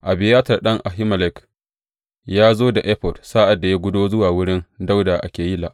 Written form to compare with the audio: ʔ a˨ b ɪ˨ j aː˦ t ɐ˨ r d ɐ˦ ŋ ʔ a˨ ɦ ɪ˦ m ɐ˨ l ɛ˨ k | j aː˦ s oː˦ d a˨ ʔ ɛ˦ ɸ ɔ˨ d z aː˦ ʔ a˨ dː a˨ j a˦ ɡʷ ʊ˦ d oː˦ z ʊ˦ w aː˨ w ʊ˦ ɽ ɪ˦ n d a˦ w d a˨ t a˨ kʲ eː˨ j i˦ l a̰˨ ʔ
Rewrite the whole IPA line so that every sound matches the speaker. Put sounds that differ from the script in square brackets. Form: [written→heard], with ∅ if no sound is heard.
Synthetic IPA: ʔ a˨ b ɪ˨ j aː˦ t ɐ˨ r [d→ɗ] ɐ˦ ŋ ʔ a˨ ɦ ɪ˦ m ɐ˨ l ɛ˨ k | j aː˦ [s→z] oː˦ d a˨ ʔ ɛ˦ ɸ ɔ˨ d [z→s] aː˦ ʔ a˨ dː a˨ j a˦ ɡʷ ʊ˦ d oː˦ z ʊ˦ w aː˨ w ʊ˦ ɽ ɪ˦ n d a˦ w d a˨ [t→ʔ] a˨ kʲ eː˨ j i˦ l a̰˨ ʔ